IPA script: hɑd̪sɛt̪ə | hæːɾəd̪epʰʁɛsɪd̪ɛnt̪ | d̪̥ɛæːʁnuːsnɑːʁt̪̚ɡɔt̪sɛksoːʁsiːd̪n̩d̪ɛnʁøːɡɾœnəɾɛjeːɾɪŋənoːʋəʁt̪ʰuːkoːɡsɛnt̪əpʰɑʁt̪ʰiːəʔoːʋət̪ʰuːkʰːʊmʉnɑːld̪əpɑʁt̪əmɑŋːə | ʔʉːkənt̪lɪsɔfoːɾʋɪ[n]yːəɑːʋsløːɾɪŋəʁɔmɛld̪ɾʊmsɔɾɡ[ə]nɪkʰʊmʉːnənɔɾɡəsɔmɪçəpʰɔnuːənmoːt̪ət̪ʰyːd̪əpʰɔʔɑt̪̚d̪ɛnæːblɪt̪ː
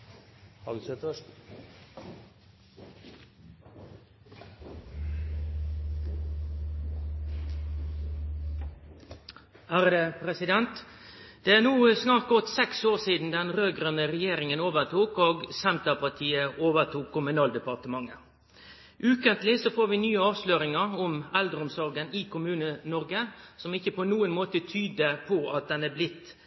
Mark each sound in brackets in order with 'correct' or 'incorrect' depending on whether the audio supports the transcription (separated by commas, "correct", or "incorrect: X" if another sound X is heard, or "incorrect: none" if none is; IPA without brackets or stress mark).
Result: correct, correct